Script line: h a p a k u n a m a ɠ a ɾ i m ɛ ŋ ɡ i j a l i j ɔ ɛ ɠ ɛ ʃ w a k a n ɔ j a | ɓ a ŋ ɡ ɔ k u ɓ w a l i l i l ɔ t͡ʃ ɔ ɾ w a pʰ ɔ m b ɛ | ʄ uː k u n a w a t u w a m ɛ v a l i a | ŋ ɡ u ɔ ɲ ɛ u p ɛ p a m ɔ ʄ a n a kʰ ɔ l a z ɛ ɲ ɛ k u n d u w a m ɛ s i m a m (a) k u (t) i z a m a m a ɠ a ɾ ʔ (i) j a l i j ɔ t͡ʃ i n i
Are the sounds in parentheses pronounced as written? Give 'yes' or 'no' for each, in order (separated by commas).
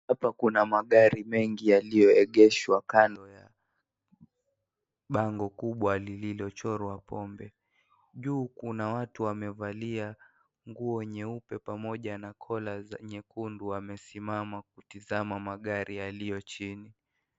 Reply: yes, yes, yes